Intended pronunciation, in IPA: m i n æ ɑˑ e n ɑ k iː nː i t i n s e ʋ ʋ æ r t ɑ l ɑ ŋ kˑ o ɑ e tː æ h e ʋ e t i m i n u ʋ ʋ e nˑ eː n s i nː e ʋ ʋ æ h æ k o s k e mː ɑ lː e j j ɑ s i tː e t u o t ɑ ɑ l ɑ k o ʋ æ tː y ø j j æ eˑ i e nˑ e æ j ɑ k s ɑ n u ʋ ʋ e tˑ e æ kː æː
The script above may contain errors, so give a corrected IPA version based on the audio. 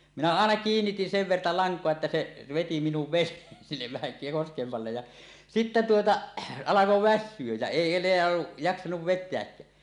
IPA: m i n æ ɑˑ e n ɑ k iː nː i t i n s e ʋ ʋ e r t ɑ l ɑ ŋ kˑ o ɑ e tː æ s e ʋ e t i m i n u ʋ ʋ e nˑ eː n s i nː e ʋ ʋ æ h æ k o s k e mː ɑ lː e j j ɑ s i tː e t u o t ɑ ɑ l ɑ k o ʋ æ sː y ø j j æ eˑ i e nˑ e æ j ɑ k s ɑ n u ʋ ʋ e tˑ e æ kː æː